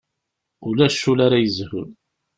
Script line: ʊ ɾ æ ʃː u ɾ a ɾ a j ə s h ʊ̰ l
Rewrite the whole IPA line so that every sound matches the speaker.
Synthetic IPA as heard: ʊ l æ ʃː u l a ɾ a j ə z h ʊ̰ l